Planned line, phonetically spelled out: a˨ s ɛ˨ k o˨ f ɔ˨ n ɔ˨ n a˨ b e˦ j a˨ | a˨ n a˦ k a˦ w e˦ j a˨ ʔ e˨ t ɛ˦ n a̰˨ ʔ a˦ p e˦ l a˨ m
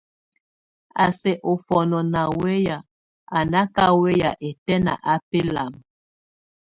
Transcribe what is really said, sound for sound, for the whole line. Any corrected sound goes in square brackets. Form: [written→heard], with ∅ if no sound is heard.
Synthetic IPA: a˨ s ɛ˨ [k→ʔ] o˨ f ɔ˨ n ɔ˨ n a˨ [b→w] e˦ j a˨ | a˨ n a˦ k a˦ w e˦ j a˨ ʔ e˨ t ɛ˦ n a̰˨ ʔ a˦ p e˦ l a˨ m